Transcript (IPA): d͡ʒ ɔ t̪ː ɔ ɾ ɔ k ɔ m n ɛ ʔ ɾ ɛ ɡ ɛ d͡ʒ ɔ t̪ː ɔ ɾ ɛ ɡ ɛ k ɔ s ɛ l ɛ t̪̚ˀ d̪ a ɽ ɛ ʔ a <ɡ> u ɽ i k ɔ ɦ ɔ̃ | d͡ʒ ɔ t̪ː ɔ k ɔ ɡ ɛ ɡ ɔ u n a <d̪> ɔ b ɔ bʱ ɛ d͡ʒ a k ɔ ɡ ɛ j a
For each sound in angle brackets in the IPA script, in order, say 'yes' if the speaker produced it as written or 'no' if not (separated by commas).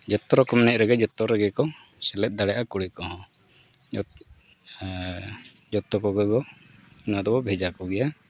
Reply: no, yes